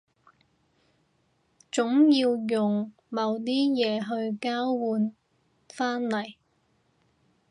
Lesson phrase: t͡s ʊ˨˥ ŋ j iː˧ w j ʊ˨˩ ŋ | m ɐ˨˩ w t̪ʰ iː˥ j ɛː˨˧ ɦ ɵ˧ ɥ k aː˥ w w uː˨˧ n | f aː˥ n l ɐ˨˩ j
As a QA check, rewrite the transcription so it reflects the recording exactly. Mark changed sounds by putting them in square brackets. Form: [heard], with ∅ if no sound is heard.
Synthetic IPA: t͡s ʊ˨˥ ŋ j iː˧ w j ʊ˨˩ ŋ | m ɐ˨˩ w [t̪] iː˥ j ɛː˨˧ ɦ ɵ˧ ɥ k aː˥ w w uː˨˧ n | f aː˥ n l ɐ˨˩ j

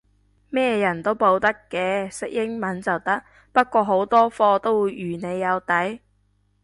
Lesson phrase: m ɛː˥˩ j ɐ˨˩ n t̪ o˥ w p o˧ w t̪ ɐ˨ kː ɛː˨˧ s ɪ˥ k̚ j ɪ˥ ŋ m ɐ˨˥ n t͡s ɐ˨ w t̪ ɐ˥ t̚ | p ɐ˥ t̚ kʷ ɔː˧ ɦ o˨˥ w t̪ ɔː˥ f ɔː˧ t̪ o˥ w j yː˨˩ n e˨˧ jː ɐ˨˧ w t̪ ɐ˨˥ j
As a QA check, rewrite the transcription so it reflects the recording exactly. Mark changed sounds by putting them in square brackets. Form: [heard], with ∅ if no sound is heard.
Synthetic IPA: m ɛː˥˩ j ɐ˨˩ n t̪ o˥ w p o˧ w t̪ [ɐ˥] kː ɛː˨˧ s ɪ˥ k̚ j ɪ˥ ŋ m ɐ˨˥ n t͡s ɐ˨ w t̪ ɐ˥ [k̚] | p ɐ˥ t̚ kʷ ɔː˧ ɦ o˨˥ w t̪ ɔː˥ f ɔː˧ t̪ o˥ w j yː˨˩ n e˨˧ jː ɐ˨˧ w t̪ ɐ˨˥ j

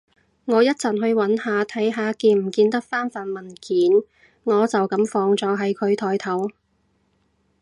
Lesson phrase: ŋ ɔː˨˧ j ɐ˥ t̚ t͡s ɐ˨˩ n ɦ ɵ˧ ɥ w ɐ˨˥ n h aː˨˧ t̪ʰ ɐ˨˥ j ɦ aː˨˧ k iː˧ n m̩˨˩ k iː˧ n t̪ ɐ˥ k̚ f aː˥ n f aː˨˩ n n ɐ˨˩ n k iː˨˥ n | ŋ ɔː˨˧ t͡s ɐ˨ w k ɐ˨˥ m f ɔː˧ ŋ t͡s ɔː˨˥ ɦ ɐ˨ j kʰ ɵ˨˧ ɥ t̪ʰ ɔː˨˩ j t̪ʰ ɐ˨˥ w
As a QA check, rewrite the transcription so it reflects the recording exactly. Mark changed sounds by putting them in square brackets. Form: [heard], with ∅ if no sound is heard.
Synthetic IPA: ŋ ɔː˨˧ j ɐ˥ t̚ t͡s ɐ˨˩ n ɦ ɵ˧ ɥ w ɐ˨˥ n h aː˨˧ t̪ʰ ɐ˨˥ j ɦ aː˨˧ k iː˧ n m̩˨˩ k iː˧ n t̪ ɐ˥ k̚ f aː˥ n f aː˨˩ n [m] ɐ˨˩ n k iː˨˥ n | ŋ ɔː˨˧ t͡s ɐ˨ w k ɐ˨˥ m f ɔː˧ ŋ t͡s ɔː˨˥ ɦ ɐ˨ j kʰ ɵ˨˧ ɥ t̪ʰ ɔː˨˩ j t̪ʰ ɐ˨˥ w

